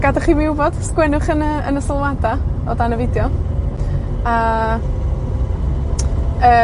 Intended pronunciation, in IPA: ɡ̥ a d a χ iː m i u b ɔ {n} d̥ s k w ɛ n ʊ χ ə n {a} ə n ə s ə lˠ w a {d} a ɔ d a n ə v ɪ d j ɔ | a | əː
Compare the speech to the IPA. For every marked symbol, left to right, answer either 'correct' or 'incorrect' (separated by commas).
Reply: incorrect, incorrect, correct